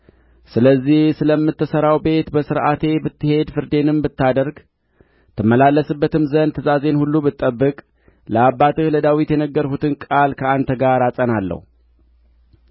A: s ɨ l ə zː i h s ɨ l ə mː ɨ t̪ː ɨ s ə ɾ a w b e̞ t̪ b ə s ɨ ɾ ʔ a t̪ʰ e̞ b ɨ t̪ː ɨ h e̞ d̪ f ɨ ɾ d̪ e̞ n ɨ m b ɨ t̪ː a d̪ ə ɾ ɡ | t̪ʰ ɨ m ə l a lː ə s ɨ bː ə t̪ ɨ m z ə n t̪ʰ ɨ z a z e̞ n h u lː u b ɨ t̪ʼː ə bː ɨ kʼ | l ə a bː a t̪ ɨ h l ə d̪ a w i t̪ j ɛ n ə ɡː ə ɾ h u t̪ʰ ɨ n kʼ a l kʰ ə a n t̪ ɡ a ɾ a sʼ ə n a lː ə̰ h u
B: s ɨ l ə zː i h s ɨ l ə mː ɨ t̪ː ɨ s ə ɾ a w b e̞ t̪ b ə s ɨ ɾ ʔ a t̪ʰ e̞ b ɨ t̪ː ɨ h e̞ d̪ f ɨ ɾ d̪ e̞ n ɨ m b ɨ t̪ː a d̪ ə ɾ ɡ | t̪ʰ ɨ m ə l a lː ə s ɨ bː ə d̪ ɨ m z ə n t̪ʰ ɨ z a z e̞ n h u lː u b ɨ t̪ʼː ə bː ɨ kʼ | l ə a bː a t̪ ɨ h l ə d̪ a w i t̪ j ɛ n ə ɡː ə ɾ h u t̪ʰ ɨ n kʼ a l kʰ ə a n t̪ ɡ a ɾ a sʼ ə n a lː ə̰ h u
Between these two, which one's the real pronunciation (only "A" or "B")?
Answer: A